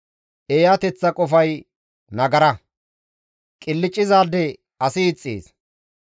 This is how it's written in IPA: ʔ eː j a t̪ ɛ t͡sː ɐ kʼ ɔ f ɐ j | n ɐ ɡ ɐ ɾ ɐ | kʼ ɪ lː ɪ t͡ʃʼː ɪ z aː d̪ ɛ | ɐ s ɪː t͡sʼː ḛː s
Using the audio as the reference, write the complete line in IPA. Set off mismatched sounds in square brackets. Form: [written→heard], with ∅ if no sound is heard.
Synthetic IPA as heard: ʔ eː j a t̪ ɛ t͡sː ɐ kʼ ɔ f ɐ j | n ɐ ɡ ɐ ɾ ɐ | kʼ ɪ lː ɪ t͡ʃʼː ɪ z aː d̪ ɛ | ɐ s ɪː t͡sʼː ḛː s